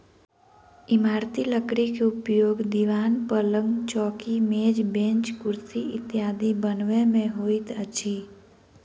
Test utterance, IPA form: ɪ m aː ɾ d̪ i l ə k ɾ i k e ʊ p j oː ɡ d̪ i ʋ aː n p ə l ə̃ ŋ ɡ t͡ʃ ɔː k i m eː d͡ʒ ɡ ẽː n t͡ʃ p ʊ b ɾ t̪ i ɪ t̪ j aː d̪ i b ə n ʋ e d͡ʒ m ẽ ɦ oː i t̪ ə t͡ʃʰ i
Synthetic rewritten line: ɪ m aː ɾ t̪ i l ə k ɾ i k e ʊ p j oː ɡ d̪ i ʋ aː n p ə l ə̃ ŋ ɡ t͡ʃ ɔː k i m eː d͡ʒ b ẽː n t͡ʃ k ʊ ɾ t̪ i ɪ t̪ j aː d̪ i b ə n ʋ e m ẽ ɦ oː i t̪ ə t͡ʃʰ i